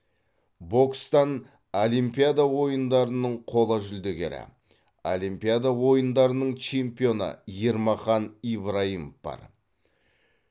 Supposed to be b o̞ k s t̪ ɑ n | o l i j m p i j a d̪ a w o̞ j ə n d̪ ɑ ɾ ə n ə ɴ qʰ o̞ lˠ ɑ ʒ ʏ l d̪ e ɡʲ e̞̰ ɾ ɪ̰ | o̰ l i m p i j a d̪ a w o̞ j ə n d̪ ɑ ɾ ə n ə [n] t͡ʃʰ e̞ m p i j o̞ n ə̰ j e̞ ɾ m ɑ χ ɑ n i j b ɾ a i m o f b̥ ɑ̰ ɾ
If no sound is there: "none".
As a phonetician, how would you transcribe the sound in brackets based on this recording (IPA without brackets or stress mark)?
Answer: ɴ